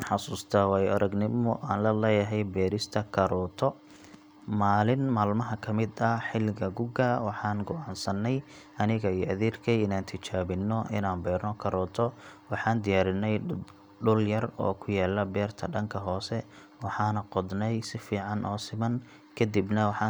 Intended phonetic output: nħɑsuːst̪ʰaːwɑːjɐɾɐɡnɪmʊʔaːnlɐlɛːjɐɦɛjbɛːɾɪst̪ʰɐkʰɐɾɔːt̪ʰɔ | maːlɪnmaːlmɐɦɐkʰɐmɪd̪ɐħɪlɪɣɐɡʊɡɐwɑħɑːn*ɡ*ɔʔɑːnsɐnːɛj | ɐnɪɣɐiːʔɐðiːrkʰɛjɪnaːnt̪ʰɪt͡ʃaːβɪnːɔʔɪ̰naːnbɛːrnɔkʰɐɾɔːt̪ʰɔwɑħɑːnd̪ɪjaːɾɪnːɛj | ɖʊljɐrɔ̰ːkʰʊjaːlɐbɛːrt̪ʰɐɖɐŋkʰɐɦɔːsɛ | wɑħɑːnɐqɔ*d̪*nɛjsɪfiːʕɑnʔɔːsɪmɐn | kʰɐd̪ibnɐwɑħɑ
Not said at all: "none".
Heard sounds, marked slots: ɡ, d̪

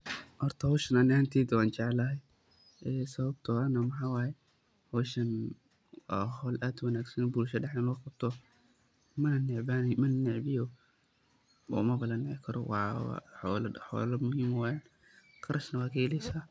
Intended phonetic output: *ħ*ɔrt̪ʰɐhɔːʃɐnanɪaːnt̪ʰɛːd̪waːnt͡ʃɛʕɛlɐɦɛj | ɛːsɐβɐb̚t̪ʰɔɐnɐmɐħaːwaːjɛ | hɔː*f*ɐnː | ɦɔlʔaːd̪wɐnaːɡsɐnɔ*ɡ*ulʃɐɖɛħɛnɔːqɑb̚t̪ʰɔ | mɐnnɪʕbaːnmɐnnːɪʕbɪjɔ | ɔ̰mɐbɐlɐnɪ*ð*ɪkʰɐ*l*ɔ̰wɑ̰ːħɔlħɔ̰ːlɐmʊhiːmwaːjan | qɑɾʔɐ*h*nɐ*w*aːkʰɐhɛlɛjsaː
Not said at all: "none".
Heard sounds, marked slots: h, ʃ, b, ʕ, ɾ, ʃ, w

